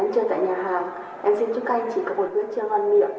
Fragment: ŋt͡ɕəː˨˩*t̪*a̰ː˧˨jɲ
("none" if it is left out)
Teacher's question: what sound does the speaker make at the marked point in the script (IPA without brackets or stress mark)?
t̪